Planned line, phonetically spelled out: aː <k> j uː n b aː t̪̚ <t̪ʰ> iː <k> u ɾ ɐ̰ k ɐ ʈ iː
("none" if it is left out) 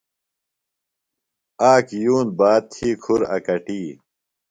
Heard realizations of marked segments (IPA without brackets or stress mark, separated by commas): k, t̪ʰ, kʰ